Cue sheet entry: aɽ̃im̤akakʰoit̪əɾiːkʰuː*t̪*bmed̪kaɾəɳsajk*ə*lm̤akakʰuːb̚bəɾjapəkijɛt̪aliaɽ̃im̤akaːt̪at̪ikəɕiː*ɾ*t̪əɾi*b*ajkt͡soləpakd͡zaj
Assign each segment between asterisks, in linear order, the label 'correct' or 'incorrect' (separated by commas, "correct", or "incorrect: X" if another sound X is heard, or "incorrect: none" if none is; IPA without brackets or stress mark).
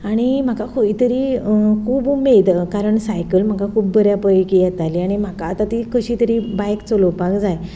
incorrect: none, correct, incorrect: none, correct